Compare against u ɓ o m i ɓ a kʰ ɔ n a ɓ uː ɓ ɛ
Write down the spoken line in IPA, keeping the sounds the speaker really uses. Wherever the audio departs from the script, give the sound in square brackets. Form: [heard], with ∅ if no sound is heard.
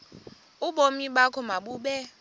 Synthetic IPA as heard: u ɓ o m i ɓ a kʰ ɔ [m] a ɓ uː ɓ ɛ